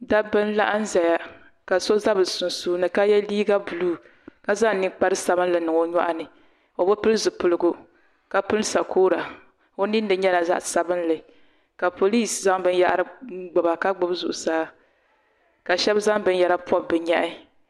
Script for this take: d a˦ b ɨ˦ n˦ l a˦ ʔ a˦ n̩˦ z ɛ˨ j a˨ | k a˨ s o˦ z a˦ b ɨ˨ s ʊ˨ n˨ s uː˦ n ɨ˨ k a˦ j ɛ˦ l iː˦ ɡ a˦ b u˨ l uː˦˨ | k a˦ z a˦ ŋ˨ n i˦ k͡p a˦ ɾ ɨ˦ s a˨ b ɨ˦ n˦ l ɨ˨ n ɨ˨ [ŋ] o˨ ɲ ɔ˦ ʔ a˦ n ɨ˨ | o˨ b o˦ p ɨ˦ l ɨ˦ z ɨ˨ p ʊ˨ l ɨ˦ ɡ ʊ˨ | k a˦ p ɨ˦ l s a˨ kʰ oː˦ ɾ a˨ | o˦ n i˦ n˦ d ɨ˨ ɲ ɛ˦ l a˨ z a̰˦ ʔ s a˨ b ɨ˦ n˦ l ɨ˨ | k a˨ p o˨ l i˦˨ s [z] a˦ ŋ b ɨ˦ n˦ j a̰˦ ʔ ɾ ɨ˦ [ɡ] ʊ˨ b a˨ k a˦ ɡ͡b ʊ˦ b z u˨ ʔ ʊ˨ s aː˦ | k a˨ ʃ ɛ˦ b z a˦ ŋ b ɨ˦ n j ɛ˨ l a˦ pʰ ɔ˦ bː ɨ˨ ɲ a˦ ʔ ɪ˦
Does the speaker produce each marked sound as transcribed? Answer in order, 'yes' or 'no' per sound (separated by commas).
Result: yes, yes, no